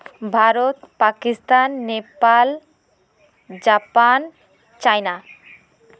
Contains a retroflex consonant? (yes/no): no